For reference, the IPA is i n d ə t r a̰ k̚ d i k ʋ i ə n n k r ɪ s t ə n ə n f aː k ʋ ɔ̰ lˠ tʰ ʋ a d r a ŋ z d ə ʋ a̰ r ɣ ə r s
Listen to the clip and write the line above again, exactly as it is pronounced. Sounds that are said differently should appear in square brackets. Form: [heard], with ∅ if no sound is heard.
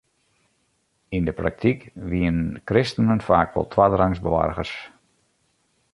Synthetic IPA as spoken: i n d ə [p] r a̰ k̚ [t] i k ʋ i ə n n k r ɪ s t ə n ə n f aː k ʋ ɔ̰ lˠ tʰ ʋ a d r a ŋ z [b] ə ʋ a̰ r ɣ ə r s

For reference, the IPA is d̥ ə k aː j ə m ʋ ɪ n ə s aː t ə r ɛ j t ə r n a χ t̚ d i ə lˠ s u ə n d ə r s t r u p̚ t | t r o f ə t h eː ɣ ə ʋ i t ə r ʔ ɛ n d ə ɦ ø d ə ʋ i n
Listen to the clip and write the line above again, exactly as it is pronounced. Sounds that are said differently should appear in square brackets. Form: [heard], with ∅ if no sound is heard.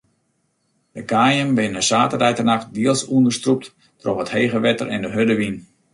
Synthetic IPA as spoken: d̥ ə k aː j ə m ʋ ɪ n ə s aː t ə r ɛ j t ə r n a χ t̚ d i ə lˠ s u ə n d ə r s t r u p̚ t | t r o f ə t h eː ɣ ə ʋ [ɛ] t ə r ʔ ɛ n d ə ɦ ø d ə ʋ i n

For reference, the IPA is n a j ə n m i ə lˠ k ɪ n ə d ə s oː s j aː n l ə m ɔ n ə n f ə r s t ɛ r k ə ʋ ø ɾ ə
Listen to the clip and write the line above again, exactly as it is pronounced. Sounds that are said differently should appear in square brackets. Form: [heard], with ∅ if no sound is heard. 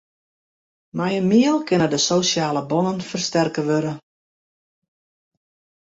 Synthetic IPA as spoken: [m] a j ə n m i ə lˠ k ɪ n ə d ə s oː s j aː [∅] l ə [b] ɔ n ə n f ə r s t ɛ r k ə ʋ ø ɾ ə

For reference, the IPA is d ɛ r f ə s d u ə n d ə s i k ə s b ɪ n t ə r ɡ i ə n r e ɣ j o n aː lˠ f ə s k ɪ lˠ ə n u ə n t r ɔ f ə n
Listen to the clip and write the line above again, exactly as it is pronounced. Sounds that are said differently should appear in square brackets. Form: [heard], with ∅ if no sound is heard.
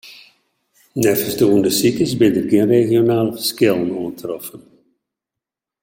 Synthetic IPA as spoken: [n] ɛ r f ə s d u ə n d ə s i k ə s b ɪ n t ə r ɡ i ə n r e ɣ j o n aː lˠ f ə s k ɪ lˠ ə n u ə n t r ɔ f ə n

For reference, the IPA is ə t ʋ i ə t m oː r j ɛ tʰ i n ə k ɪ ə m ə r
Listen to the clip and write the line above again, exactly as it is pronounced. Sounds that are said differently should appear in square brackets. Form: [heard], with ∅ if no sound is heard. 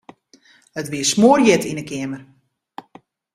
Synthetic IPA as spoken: ə t ʋ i ə [s] m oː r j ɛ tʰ i n ə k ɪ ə m ə r

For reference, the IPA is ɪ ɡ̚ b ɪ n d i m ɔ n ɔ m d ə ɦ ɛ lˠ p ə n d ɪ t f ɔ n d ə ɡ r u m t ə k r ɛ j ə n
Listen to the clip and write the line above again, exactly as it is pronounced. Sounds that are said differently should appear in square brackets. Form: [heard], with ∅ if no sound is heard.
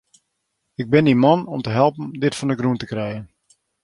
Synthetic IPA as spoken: ɪ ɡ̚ b ɪ n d i m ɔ n ɔ m [t] ə ɦ ɛ lˠ p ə n d ɪ t f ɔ n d ə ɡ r u [n] t ə k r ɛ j ə n

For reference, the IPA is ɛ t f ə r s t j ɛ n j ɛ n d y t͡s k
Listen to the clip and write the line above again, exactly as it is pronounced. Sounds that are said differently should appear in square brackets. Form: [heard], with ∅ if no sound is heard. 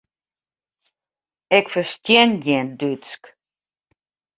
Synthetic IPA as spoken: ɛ [k] f ə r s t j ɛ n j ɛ n d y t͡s k

